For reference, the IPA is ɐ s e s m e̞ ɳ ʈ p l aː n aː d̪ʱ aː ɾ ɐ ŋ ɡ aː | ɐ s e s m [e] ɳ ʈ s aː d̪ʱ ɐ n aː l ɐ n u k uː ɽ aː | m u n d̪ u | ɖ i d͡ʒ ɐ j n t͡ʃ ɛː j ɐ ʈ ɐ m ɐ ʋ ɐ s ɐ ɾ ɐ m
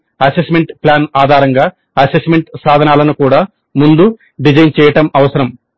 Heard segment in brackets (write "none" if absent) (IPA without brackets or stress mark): e